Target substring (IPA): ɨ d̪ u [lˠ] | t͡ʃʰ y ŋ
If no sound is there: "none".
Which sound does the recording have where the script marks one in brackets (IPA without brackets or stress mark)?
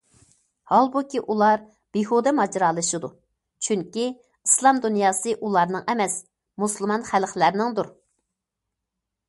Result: none